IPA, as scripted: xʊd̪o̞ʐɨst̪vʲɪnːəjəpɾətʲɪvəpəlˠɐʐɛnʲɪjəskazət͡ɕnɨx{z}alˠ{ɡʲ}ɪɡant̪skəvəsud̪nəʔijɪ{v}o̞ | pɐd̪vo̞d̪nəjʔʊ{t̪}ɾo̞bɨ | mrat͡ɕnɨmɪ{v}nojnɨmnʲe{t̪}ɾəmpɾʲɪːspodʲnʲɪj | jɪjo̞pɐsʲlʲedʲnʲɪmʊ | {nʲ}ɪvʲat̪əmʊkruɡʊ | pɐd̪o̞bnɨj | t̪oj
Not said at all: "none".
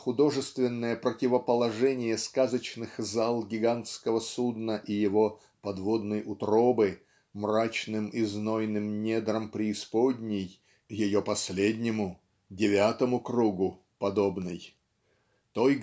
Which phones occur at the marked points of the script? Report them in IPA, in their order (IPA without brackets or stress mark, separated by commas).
z, ɡʲ, v, t̪, z, d̪, dʲ